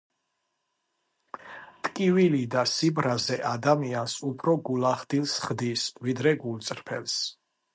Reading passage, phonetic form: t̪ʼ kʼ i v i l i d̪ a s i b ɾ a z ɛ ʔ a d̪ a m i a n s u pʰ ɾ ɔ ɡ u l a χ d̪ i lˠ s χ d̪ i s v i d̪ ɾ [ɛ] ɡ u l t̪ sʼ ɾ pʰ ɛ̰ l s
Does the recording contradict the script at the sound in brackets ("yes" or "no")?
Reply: no